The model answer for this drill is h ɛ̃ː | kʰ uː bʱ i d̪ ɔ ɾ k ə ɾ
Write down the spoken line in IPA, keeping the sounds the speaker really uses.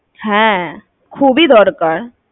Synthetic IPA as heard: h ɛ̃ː | kʰ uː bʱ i d̪ ɔː ɾ k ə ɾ